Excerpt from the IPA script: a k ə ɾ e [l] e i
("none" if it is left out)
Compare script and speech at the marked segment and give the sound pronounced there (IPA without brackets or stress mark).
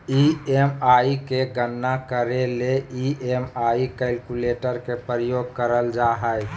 l